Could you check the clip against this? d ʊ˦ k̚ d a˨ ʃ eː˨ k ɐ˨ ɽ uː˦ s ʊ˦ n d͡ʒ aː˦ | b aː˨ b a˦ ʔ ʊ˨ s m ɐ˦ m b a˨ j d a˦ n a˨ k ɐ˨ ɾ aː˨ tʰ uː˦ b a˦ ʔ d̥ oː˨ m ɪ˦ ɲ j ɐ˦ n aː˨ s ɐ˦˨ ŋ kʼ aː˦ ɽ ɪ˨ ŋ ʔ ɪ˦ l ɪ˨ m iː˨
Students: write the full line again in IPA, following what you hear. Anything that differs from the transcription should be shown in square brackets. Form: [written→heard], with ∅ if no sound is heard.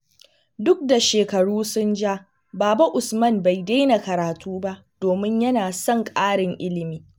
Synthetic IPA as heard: d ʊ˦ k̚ d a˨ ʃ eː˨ k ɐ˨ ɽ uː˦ s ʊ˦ n d͡ʒ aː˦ | b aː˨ b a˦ ʔ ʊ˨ s m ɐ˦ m b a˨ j d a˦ n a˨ k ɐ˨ ɾ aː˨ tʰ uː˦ b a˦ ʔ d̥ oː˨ m ɪ˦ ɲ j ɐ˦ n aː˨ s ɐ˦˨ ŋ kʼ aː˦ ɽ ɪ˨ ŋ ʔ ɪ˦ l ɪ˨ m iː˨